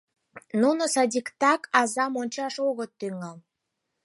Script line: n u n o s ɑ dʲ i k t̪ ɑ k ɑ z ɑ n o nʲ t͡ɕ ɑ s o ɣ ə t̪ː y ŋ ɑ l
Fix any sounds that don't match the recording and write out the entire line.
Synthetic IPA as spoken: n u n o s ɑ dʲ i k t̪ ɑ k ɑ z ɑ m o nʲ t͡ɕ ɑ ʃ o ɣ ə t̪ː y ŋ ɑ l

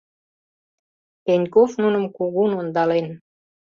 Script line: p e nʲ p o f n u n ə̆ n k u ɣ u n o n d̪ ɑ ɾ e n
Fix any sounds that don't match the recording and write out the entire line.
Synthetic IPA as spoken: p e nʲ k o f n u n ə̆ m k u ɣ u n o n d̪ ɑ l e n

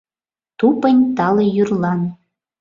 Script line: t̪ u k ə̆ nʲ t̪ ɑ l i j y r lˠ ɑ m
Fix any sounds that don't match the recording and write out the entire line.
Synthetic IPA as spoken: t̪ u p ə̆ nʲ t̪ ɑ l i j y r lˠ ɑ n

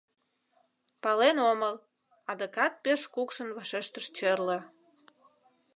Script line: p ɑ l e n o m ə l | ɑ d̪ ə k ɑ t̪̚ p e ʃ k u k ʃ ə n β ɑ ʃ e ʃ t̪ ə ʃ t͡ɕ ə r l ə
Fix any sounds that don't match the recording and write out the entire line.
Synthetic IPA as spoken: p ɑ l e n o m ə l | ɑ d̪ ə k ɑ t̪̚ p e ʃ k u k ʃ ə n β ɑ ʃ e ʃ t̪ ə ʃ t͡ɕ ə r l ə

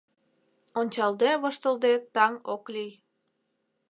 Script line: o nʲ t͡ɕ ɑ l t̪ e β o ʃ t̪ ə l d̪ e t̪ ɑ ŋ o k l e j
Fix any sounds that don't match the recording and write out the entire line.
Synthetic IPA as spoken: o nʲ t͡ɕ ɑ l d̪ e β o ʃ t̪ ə l d̪ e t̪ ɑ ŋ o k l i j

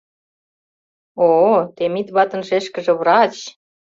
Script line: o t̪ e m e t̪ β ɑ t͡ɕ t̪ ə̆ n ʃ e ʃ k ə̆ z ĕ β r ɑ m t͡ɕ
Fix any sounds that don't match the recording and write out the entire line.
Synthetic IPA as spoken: o t̪ e m i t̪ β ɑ t̪ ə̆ n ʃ e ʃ k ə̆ ʒ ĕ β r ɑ t͡ɕ

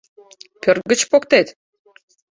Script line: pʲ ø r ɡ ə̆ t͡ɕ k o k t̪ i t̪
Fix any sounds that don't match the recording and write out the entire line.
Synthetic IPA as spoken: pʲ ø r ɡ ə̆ t͡ɕ p o k t̪ e t̪

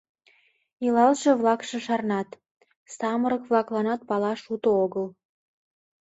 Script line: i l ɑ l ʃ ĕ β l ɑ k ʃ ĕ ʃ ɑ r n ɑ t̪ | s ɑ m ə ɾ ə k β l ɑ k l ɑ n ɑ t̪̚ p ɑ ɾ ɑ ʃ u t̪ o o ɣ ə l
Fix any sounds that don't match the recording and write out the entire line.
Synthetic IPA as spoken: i l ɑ l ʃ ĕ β l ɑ k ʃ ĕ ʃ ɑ r n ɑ t̪ | s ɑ m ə ɾ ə k β l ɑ k l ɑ n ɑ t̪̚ p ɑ l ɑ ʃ u t̪ o o ɣ ə l

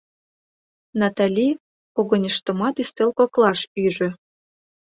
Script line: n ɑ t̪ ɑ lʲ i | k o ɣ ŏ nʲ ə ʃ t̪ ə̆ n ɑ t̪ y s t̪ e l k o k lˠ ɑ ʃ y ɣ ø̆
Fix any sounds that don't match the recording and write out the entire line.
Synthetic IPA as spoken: n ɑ t̪ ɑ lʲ i | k o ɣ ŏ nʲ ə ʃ t̪ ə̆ m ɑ t̪ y s t̪ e l k o k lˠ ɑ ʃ y ʒ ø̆

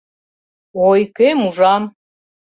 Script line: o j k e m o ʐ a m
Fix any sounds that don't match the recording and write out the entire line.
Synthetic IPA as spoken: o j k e m u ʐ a m

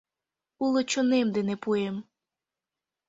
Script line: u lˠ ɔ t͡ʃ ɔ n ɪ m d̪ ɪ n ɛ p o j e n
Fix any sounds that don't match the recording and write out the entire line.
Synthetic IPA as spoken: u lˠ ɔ t͡ʃ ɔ n ɪ m d̪ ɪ n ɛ p u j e m

